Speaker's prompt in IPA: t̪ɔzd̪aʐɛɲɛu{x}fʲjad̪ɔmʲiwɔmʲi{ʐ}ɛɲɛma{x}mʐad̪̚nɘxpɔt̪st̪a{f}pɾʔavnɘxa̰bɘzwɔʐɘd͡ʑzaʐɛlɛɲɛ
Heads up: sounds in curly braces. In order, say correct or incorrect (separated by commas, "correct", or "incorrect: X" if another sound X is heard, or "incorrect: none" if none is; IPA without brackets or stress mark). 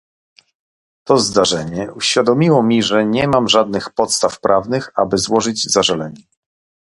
incorrect: ɕ, correct, incorrect: none, correct